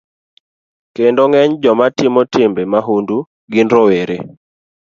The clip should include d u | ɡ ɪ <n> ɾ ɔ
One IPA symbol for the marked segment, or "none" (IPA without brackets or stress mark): n